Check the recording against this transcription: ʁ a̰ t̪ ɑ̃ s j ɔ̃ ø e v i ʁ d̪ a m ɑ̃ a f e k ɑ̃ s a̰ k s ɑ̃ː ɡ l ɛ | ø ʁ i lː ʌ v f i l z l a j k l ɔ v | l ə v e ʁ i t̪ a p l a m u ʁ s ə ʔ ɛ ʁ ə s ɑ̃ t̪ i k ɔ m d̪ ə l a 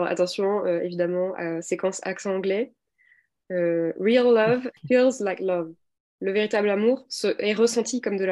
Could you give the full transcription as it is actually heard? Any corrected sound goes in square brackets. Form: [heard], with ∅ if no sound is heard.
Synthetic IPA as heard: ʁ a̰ t̪ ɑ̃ s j ɔ̃ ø e v i [∅] d̪ a m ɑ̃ a [s] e k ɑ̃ s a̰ k s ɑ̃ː ɡ l ɛ | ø ʁ i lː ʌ v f i l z l a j k l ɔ v | l ə v e ʁ i t̪ a [b] l a m u ʁ s ə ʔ ɛ ʁ ə s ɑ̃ t̪ i k ɔ m d̪ ə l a